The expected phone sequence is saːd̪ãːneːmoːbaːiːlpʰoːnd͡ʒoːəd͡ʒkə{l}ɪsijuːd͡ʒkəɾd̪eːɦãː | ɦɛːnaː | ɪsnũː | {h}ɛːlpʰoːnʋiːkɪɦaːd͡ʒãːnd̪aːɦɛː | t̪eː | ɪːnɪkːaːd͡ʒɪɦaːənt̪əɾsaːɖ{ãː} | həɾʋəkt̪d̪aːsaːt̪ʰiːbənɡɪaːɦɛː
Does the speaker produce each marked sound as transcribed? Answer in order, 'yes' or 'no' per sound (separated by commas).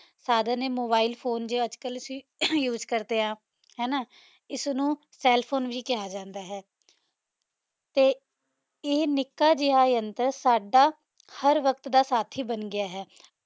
yes, no, no